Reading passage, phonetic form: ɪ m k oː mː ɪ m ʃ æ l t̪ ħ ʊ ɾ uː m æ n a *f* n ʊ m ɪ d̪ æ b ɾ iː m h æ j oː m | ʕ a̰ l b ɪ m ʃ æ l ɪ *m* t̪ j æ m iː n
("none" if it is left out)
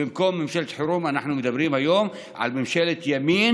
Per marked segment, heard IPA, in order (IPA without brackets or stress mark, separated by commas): ħ, none